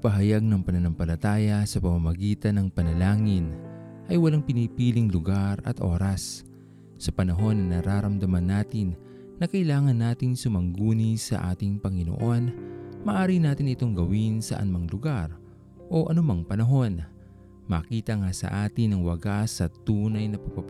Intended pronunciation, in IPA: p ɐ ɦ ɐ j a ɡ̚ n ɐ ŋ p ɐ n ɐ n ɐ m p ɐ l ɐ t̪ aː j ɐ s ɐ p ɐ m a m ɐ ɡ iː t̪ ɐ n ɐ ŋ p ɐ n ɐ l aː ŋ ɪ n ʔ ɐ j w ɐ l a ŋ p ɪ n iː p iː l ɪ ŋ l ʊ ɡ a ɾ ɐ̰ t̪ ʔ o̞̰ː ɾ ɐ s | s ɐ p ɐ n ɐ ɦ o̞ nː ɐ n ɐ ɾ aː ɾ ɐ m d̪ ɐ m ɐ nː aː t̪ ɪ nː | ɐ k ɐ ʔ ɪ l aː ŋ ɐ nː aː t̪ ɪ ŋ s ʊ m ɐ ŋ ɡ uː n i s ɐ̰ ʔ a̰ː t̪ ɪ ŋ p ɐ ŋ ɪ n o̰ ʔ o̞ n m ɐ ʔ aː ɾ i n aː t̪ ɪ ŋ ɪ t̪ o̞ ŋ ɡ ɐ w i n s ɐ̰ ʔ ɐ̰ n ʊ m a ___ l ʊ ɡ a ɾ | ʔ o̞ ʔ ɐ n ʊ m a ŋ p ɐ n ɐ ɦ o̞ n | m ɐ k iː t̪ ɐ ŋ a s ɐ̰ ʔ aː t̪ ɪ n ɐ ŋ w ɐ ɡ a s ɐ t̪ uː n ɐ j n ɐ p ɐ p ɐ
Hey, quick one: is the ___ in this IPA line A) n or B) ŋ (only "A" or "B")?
B